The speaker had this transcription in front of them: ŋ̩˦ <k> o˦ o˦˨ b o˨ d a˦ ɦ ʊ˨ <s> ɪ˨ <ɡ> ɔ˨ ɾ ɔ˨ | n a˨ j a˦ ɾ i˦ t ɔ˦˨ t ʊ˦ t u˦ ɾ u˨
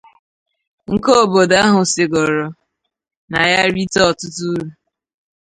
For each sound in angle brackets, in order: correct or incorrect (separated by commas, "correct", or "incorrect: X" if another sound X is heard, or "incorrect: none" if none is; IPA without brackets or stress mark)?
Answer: correct, correct, correct